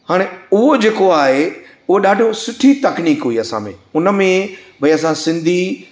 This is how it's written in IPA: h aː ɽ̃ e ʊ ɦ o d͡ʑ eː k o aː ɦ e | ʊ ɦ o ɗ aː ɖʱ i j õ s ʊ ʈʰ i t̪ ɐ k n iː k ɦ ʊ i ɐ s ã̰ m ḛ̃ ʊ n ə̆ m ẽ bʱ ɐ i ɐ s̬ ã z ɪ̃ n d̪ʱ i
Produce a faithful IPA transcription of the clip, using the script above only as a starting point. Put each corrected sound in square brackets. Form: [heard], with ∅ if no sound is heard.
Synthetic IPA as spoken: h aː ɽ̃ e ʊ ɦ o d͡ʑ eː k o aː ɦ e | ʊ ɦ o ɗ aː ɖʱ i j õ s ʊ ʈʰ i t̪ ɐ k n iː k ɦ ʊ i ɐ s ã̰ m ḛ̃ ʊ n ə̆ m ẽ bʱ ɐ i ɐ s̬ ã [s] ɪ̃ n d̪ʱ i